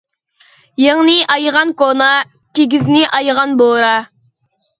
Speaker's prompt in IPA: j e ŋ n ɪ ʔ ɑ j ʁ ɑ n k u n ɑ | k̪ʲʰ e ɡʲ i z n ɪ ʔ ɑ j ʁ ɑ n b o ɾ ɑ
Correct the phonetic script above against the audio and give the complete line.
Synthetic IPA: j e ŋ n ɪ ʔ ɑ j ʁ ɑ n k o n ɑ | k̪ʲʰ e ɡʲ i z n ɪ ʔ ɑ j ʁ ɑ n b o ɾ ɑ